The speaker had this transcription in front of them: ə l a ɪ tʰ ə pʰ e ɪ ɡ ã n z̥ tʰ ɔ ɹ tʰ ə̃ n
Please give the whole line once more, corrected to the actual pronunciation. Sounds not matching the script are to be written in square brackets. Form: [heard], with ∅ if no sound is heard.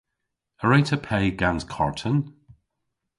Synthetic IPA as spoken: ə [ɹ] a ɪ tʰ ə pʰ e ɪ ɡ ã n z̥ [kʰ] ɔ ɹ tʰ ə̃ n